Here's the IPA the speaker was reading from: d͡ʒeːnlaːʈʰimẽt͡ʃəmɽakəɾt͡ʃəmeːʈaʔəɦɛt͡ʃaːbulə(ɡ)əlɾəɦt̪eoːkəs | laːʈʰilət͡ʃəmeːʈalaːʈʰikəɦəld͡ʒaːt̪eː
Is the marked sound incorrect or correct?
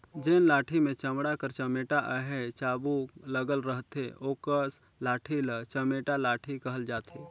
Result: correct